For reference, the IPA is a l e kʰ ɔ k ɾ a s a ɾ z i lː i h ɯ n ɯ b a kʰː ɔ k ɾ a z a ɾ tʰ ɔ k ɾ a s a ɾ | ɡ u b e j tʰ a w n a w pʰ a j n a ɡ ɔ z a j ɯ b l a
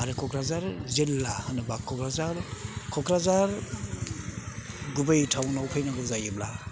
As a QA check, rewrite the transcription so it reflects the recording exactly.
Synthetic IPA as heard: a ɾ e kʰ ɔ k ɾ a z a ɾ z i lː a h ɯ n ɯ b a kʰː ɔ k ɾ a z a ɾ kʰ ɔ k ɾ a z a ɾ | ɡ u b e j tʰ a w n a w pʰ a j n a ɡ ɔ z a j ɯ b l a